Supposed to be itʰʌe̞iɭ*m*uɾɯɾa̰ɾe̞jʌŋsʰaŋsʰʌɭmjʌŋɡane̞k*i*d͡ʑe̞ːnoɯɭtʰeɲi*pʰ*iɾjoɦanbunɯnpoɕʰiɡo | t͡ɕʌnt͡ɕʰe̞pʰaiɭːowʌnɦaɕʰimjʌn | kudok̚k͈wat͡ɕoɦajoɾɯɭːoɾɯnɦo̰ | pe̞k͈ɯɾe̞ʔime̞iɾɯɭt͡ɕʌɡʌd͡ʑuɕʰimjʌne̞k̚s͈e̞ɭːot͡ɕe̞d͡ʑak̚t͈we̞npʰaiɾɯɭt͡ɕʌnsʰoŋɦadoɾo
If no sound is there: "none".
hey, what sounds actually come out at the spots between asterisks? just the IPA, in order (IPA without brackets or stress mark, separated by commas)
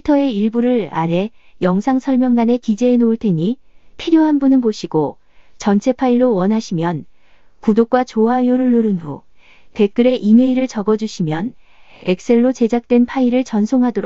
b, i, pʰ